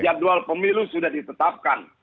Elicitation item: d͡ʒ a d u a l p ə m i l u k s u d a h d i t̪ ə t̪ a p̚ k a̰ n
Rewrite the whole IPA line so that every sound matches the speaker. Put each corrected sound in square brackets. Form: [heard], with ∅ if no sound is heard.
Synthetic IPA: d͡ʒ a d u a l p ə m i l u [∅] s u d a h d i t̪ ə t̪ a p̚ k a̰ n